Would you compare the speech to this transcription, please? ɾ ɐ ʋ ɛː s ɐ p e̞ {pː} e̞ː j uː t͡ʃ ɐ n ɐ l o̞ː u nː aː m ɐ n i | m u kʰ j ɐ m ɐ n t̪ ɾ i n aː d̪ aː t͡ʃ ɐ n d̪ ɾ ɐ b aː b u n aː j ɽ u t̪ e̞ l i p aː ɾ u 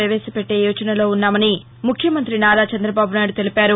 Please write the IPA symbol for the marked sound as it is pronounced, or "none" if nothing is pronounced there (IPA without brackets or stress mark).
ʈː